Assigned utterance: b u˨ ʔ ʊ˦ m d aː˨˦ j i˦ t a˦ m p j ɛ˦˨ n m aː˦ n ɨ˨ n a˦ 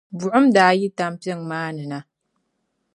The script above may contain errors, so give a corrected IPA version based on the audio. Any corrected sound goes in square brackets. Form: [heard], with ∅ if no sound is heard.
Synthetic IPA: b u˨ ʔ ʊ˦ m d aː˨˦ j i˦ t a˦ m p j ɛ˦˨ [ŋ] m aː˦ n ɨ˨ n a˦